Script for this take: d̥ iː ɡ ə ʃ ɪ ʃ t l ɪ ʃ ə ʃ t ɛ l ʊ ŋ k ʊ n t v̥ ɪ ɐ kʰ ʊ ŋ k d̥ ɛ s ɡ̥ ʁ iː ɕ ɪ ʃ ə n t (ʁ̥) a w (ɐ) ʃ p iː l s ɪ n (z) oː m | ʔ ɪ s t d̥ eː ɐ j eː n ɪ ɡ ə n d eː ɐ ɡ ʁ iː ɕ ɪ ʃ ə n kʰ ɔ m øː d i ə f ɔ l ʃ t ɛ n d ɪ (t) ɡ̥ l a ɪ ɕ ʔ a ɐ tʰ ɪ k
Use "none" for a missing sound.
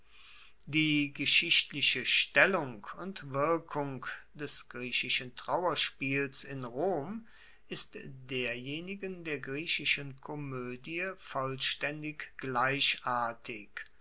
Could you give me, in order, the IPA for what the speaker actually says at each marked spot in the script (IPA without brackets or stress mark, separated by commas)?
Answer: ʁ̥, ɐ, ʁ, k